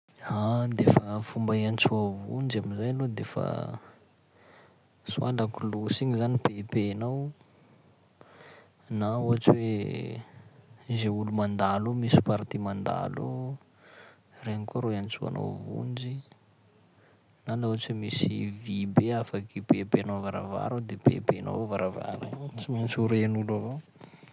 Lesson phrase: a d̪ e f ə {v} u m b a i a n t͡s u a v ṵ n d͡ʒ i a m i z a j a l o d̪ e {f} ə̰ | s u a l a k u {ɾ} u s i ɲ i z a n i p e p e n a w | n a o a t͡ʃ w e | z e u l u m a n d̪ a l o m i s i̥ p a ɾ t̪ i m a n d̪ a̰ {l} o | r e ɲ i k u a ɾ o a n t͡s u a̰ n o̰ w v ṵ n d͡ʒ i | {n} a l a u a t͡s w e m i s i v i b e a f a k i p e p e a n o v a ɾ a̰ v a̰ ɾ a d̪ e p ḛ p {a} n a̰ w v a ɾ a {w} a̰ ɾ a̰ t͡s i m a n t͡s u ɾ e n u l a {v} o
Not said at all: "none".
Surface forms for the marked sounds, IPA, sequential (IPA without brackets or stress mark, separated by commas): f, f, l, l, n, e, v, v